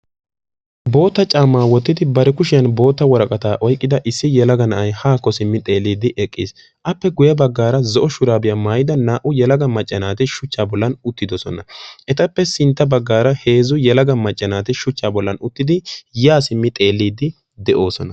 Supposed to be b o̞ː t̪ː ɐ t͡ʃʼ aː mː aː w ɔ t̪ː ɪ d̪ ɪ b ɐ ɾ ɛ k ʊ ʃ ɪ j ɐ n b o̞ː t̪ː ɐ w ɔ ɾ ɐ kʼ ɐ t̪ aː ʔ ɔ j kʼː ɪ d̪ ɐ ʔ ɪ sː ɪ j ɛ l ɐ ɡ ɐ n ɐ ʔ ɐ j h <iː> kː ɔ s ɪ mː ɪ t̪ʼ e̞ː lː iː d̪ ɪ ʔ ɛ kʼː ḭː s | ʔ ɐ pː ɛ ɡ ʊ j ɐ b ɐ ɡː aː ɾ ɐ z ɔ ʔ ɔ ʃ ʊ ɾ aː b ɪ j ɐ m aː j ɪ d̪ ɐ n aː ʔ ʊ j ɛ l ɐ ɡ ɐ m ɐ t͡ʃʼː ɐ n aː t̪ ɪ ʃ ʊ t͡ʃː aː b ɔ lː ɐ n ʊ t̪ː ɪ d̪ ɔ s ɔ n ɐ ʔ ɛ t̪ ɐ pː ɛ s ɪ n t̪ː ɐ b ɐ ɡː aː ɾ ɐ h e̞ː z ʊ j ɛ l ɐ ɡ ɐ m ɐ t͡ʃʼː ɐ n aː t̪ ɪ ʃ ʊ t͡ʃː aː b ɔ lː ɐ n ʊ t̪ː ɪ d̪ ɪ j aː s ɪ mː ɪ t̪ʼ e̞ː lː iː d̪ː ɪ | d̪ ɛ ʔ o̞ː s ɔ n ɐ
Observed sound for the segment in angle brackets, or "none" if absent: aː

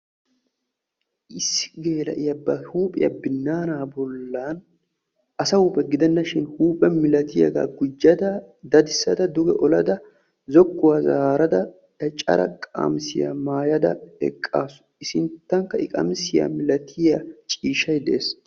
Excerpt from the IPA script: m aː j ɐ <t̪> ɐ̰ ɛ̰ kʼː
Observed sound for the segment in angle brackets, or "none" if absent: d̪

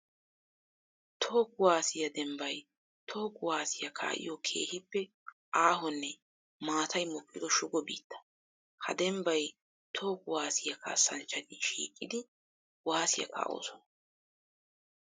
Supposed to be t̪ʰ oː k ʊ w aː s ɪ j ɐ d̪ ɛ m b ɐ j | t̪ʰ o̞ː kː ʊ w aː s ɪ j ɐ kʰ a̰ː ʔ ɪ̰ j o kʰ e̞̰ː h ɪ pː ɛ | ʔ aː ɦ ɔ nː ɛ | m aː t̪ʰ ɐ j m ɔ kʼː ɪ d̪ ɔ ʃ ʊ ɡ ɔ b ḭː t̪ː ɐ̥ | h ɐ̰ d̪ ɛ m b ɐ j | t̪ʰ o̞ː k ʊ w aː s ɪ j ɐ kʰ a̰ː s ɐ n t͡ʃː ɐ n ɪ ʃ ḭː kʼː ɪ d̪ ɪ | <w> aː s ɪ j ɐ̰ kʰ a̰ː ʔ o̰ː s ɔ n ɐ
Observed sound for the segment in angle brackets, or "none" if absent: w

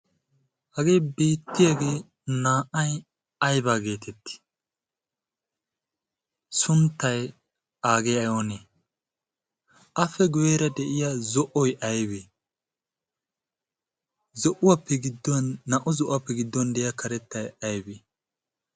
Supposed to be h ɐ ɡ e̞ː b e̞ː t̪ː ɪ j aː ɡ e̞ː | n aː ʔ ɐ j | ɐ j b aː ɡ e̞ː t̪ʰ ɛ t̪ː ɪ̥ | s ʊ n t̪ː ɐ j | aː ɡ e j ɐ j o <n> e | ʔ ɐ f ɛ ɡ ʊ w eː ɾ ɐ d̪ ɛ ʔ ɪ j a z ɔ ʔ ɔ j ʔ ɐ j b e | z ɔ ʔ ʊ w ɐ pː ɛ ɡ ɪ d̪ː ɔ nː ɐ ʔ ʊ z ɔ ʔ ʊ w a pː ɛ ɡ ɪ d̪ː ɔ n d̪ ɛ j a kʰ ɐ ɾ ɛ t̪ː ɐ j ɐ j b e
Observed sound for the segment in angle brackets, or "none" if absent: n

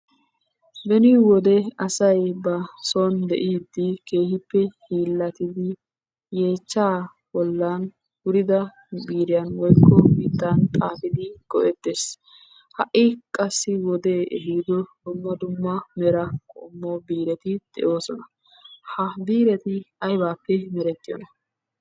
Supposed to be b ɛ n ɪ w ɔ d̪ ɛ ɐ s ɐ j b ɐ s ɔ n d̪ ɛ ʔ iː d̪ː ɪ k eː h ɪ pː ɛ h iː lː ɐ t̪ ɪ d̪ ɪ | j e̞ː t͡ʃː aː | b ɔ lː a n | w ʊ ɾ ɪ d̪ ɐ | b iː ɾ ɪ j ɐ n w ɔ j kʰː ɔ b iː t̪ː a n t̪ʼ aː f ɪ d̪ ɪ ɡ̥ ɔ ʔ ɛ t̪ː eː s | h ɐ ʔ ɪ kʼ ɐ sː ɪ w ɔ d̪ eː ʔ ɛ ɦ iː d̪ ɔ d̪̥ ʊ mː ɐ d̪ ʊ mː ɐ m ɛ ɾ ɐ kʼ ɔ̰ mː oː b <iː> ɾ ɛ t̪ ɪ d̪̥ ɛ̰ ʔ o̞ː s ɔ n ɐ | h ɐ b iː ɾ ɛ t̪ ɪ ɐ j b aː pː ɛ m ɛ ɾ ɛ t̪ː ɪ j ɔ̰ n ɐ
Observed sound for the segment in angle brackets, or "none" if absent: iː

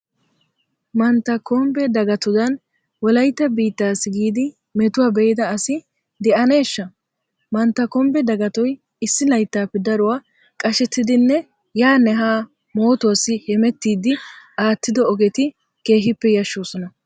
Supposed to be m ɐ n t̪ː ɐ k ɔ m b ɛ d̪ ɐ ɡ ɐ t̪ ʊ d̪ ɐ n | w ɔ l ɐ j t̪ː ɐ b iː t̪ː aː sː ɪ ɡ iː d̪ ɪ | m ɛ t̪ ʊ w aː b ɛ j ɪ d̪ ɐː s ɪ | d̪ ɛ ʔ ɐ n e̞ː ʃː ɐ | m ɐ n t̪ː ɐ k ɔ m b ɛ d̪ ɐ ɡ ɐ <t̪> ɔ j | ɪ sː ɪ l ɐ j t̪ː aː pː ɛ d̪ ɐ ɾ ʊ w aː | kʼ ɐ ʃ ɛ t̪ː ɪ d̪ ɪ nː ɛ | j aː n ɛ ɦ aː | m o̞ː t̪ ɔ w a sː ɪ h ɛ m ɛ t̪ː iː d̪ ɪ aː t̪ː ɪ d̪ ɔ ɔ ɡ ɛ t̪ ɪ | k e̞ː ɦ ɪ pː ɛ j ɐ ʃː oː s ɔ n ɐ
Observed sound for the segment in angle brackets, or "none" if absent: t̪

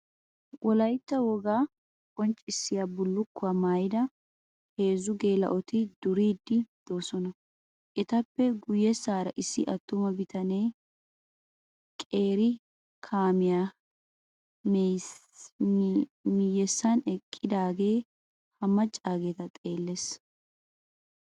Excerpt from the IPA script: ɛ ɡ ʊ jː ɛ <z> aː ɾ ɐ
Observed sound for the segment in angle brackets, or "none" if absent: s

